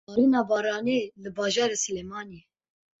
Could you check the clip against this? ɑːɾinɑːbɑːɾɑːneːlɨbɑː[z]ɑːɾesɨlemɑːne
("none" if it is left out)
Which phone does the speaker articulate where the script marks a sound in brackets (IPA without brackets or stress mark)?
ʒ